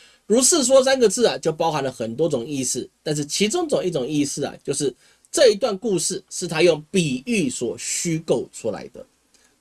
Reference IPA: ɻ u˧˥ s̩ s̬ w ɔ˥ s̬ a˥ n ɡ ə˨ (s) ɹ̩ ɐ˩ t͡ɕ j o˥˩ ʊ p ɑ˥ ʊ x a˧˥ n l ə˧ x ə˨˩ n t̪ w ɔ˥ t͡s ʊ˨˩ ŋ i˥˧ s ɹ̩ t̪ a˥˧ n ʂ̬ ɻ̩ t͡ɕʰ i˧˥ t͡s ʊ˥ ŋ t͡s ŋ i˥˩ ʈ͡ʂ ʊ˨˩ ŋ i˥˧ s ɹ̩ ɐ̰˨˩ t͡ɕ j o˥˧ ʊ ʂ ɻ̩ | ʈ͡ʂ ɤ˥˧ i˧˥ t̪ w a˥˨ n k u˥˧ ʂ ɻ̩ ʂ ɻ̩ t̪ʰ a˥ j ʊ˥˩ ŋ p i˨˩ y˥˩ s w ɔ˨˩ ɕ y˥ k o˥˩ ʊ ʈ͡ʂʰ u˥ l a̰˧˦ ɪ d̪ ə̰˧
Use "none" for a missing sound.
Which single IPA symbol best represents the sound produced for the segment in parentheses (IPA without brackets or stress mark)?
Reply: t͡s